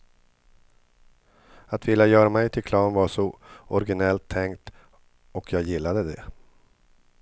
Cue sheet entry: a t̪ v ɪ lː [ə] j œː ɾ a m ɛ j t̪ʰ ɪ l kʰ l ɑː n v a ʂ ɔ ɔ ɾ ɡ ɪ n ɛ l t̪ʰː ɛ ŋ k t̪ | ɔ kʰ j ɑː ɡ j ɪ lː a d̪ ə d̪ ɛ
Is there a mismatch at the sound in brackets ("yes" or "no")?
yes